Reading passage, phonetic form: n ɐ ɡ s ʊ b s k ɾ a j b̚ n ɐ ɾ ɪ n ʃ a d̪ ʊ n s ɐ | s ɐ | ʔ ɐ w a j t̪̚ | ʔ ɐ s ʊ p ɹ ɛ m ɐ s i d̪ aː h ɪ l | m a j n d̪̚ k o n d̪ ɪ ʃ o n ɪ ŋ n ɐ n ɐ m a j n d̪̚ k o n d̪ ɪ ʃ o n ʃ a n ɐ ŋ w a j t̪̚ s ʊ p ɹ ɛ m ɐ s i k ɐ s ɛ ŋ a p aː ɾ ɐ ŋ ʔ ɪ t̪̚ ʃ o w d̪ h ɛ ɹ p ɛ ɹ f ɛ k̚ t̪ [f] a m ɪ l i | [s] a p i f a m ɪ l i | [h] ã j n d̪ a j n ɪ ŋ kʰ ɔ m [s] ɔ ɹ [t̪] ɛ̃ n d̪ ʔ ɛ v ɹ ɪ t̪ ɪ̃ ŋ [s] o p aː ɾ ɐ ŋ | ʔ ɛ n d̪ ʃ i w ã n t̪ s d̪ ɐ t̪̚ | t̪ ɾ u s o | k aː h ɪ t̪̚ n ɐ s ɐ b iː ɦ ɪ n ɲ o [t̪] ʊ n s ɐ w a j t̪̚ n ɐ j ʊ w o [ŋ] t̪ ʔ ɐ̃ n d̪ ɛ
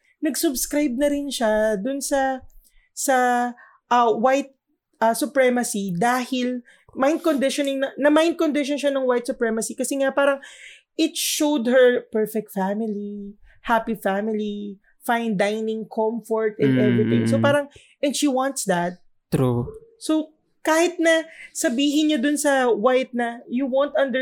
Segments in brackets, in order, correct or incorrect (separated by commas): correct, incorrect, incorrect, incorrect, correct, correct, incorrect, incorrect